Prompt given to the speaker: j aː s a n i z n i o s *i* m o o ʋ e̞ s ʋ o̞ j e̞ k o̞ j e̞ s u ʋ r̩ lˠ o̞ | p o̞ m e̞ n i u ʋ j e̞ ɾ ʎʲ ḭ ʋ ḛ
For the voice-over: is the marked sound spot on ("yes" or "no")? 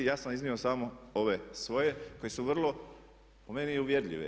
no